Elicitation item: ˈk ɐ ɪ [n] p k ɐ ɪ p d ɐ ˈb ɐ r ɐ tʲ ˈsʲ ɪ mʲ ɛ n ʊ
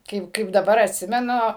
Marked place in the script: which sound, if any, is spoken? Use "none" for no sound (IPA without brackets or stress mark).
none